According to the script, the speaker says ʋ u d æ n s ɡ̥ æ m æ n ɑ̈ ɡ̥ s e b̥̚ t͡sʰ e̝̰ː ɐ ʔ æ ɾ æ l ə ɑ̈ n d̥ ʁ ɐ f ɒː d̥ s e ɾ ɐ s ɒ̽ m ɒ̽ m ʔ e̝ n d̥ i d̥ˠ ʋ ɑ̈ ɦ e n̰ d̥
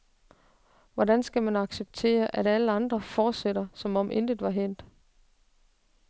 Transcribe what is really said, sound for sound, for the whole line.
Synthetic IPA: ʋ ɒ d æ n s ɡ̥ æ m æ n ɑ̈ ɡ̥ s e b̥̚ t͡sʰ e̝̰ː ɐ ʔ æ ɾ æ l ə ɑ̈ n d̥ ʁ ɐ f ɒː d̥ s e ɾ ɐ s ɒ̽ m ɒ̽ m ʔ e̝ n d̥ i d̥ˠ ʋ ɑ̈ ɦ e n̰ d̥